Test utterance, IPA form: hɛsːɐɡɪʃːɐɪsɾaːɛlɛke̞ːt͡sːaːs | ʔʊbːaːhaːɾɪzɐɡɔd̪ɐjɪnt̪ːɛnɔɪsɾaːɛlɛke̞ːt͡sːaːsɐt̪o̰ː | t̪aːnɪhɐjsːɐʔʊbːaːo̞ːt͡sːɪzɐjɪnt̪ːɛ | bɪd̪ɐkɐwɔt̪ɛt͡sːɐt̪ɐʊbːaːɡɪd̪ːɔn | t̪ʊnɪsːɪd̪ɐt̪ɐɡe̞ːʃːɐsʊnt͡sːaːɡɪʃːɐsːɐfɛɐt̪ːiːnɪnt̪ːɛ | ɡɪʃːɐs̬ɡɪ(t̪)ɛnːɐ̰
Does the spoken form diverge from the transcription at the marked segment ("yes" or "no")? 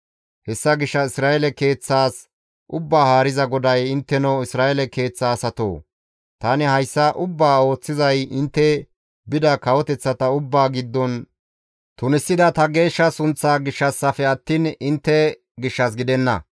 yes